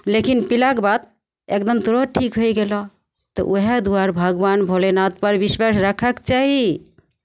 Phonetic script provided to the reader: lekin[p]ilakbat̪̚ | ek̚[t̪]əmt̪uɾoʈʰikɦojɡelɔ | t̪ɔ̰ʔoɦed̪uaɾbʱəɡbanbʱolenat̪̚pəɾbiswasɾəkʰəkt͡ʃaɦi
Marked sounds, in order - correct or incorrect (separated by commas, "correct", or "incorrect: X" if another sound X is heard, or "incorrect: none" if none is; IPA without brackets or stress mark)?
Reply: correct, incorrect: d̪